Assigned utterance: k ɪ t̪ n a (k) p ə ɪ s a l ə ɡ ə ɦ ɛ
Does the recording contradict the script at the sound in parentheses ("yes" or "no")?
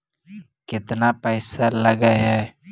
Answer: yes